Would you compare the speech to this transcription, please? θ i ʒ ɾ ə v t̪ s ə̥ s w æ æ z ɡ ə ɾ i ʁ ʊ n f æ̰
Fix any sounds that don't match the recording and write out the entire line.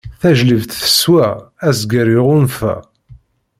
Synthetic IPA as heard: θ æ ʒ l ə v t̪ θ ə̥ s w æ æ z ɡ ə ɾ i ʁ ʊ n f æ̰